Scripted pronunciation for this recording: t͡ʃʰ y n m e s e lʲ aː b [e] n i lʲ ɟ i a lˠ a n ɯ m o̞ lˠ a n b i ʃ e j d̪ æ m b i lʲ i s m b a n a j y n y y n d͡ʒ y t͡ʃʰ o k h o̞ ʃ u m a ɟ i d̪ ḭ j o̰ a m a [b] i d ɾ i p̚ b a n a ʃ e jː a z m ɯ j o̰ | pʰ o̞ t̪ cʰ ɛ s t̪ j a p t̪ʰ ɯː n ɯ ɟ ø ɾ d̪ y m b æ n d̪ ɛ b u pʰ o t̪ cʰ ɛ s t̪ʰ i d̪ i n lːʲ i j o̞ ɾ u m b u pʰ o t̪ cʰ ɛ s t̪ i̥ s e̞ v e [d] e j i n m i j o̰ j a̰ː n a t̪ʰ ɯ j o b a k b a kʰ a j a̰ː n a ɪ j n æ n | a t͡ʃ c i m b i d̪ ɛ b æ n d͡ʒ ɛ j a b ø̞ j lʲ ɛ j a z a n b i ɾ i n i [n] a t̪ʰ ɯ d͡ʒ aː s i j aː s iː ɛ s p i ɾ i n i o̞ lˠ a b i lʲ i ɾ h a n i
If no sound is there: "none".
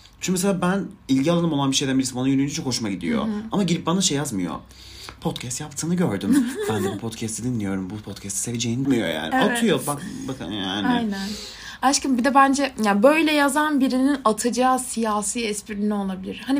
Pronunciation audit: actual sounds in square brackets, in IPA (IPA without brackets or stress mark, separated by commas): æ, ɟ, d͡ʒ, n